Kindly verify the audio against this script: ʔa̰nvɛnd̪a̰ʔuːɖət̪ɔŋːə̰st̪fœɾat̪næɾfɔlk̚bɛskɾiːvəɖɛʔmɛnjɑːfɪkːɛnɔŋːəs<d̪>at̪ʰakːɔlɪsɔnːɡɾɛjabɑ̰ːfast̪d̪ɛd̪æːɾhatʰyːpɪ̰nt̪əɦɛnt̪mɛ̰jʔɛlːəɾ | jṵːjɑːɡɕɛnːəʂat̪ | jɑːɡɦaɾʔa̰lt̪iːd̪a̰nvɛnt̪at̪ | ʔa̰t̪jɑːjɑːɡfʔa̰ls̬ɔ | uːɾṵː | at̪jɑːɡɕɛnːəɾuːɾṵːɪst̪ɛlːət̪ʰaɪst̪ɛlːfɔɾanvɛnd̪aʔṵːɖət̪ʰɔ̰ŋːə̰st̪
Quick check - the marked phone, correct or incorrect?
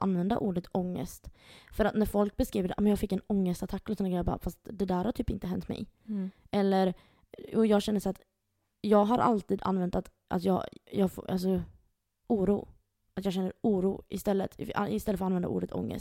incorrect